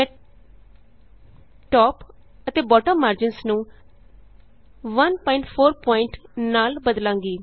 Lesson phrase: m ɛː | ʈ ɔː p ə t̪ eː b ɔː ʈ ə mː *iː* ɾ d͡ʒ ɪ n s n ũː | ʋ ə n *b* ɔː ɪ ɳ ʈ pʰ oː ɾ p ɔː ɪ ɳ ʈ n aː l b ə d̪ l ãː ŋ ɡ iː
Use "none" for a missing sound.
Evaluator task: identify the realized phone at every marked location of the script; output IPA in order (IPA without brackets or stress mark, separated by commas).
aː, p